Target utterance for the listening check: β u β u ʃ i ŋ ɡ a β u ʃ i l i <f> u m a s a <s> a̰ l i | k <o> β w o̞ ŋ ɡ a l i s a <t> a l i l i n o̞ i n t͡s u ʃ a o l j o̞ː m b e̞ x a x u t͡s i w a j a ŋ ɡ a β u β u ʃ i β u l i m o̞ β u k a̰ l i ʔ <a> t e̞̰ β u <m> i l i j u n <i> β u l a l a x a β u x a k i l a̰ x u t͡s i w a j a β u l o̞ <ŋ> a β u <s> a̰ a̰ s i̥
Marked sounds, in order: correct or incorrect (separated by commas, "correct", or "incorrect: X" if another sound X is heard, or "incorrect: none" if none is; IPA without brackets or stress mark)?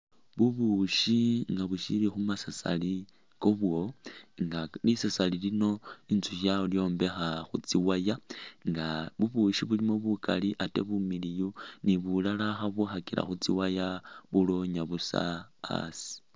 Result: incorrect: x, correct, correct, incorrect: s, correct, correct, correct, incorrect: ɲ, correct